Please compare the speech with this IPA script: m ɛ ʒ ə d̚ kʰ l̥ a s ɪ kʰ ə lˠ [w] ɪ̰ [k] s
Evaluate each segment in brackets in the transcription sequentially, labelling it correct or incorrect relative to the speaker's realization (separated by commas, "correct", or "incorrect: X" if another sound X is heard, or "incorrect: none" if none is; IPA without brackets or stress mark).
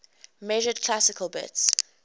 incorrect: b, incorrect: t